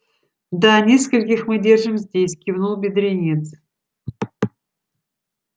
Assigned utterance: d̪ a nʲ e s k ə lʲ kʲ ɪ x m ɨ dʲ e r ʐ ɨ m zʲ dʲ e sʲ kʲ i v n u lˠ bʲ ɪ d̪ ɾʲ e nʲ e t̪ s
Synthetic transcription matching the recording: d̪ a nʲ e s k ə lʲ kʲ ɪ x m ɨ dʲ e r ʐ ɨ m zʲ dʲ e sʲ kʲ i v n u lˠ bʲ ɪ d̪ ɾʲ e nʲ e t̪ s